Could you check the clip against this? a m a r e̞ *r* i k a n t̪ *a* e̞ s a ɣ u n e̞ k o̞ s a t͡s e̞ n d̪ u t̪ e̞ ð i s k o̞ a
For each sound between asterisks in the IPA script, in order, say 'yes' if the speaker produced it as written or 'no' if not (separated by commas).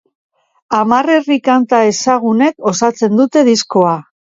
yes, yes